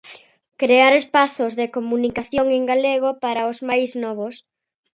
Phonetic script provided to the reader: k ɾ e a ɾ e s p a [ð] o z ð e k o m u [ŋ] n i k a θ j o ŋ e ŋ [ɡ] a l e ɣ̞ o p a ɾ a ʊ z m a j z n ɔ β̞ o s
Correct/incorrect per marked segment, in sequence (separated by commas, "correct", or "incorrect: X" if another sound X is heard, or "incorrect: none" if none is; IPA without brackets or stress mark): incorrect: θ, incorrect: none, correct